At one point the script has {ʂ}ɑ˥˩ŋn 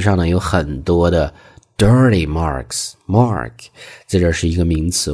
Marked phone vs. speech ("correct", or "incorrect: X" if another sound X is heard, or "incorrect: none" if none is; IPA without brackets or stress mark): correct